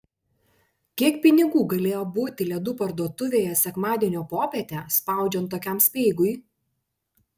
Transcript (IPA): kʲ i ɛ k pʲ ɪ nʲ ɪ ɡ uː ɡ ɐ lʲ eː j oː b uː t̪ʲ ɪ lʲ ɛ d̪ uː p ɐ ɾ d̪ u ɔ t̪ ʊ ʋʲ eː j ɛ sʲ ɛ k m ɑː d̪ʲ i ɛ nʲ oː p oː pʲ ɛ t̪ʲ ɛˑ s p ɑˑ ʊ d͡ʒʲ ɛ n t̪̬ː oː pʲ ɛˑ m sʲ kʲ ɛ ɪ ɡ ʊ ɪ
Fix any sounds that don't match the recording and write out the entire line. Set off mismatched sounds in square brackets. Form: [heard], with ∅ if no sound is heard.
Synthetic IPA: kʲ i ɛ k pʲ ɪ nʲ ɪ ɡ uː ɡ ɐ lʲ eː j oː b uː t̪ʲ ɪ lʲ ɛ d̪ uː p ɐ ɾ d̪ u ɔ t̪ ʊ ʋʲ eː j ɛ sʲ ɛ k m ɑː d̪ʲ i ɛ nʲ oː p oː pʲ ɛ t̪ʲ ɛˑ s p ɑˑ ʊ d͡ʒʲ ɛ n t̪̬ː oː [kʲ] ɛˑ m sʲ [pʲ] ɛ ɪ ɡ ʊ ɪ

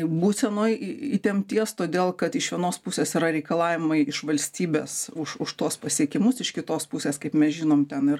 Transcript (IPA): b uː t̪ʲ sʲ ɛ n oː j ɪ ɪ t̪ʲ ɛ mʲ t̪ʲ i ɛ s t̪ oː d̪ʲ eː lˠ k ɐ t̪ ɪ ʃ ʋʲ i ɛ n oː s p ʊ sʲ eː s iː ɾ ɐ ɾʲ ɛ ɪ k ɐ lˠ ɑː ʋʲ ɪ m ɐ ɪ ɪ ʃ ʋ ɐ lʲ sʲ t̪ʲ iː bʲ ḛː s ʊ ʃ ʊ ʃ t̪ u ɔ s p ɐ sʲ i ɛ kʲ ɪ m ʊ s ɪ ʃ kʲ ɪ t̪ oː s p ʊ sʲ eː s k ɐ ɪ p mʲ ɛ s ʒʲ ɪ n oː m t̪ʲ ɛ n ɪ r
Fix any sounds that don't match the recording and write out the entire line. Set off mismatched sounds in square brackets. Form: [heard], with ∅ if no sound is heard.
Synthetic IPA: b uː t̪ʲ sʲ ɛ n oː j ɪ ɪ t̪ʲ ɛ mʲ t̪ʲ i ɛ s t̪ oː d̪ʲ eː lˠ k ɐ t̪ ɪ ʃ ʋʲ i ɛ n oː s p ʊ sʲ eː s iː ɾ ɐ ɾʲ ɛ ɪ k ɐ lˠ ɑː ʋʲ ɪ m ɐ ɪ ɪ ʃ ʋ ɐ lʲ sʲ t̪ʲ iː bʲ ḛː s ʊ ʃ ʊ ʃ t̪ u ɔ s p ɐ sʲ i ɛ kʲ ɪ m ʊ s ɪ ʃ kʲ ɪ t̪ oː s p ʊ sʲ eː s k ɐ ɪ p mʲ ɛ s ʒʲ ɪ n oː m t̪ʲ ɛ n ɪ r

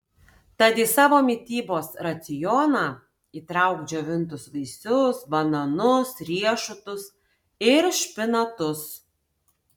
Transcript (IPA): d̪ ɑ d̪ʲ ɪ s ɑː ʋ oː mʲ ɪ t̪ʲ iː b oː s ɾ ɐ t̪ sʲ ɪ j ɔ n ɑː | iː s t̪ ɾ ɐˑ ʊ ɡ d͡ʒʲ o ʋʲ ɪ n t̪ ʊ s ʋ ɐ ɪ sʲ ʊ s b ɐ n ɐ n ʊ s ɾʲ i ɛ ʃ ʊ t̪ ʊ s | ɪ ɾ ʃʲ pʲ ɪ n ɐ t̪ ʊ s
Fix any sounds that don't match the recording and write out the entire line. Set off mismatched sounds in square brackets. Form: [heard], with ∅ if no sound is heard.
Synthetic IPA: [t̪] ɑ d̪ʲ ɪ s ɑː ʋ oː mʲ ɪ t̪ʲ iː b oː s ɾ ɐ t̪ sʲ ɪ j ɔ n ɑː | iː [∅] t̪ ɾ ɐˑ ʊ ɡ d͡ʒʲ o ʋʲ ɪ n t̪ ʊ s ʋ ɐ ɪ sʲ ʊ s b ɐ n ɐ n ʊ s ɾʲ i ɛ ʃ ʊ t̪ ʊ s | ɪ ɾ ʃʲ pʲ ɪ n ɐ t̪ ʊ s

